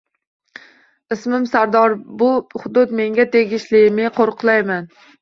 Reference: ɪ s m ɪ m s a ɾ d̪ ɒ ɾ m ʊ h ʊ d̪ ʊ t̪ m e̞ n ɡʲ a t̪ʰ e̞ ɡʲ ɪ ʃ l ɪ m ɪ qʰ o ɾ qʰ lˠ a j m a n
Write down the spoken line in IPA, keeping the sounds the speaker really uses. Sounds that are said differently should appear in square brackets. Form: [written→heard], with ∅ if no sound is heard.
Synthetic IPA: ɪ s m ɪ m s a ɾ d̪ ɒ ɾ [m→b] ʊ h ʊ d̪ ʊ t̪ m e̞ [n→ŋ] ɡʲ a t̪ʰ e̞ ɡʲ ɪ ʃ l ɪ m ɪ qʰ o ɾ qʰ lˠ a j m a n